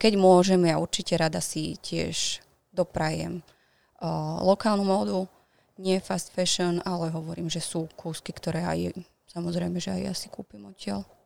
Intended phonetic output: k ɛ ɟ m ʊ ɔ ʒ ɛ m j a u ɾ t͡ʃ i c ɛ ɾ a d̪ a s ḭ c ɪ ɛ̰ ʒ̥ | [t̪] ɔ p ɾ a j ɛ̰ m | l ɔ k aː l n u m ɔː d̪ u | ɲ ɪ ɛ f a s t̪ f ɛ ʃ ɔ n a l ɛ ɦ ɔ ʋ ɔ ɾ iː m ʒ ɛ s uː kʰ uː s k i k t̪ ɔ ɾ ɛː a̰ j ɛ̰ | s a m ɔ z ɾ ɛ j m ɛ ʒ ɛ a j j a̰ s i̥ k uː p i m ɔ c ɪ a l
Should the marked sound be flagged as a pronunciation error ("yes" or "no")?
yes